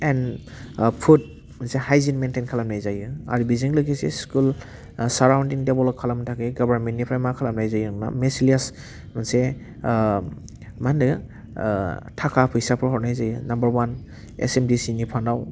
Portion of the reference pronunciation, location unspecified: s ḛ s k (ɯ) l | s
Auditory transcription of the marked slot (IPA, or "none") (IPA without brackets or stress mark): u